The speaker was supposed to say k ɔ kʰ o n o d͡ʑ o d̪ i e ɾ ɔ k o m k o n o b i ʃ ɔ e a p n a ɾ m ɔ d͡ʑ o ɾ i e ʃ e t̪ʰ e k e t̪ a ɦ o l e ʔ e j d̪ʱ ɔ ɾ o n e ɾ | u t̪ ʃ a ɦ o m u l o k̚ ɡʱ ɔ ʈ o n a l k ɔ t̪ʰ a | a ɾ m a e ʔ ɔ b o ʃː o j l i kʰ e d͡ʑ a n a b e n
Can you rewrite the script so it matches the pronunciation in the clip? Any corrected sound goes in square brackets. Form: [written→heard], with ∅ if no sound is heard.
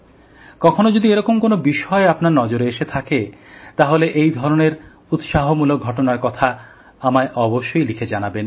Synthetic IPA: k ɔ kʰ o n o d͡ʑ o d̪ i e ɾ ɔ k o m k o n o b i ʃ ɔ e a p n a ɾ [m→n] ɔ d͡ʑ o ɾ [i→e] e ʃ e t̪ʰ [e→a] k e t̪ a ɦ o l e ʔ e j d̪ʱ ɔ ɾ o n e ɾ | u t̪ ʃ a ɦ o m u l o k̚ ɡʱ ɔ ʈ o n a [l→ɾ] k ɔ t̪ʰ a | a [ɾ→∅] m a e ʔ ɔ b o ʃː o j l i kʰ e d͡ʑ a n a b e n

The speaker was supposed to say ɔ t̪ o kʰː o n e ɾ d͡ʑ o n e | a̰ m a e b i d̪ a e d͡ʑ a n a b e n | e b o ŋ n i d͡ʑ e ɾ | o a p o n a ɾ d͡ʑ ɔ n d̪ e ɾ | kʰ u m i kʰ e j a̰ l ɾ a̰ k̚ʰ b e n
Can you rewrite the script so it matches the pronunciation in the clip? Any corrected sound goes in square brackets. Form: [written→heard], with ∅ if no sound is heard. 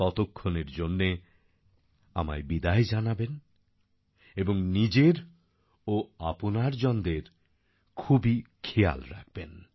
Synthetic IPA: ɔ t̪ o kʰː o n e ɾ d͡ʑ o [n→nː] e | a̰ m a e b i d̪ a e d͡ʑ a n a b e n | e b o ŋ n i d͡ʑ e ɾ | o a p o n a ɾ d͡ʑ ɔ n d̪ e ɾ | kʰ u [m→b] i kʰ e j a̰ l ɾ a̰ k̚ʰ b e n

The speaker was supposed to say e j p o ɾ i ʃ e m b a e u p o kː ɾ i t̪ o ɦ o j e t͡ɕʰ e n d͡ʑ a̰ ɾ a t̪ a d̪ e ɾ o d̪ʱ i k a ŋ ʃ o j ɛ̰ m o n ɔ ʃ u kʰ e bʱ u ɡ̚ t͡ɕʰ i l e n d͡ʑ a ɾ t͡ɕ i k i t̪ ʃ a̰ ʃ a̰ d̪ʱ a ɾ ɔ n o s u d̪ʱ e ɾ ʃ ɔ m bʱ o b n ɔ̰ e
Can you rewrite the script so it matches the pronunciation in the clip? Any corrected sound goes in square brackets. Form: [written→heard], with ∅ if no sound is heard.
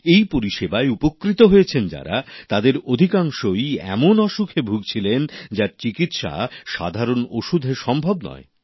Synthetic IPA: e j p o ɾ i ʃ e [m→∅] b a e u p o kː ɾ i t̪ o ɦ o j e t͡ɕʰ e n d͡ʑ a̰ ɾ a t̪ a d̪ e ɾ o d̪ʱ i k a ŋ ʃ o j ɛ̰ m o n ɔ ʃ u kʰ e bʱ u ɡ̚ t͡ɕʰ i l e n d͡ʑ a ɾ t͡ɕ i k i t̪ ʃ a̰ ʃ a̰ d̪ʱ a ɾ [ɔ→o] n o [s→ʃ] u d̪ʱ e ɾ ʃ ɔ m bʱ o b n ɔ̰ e

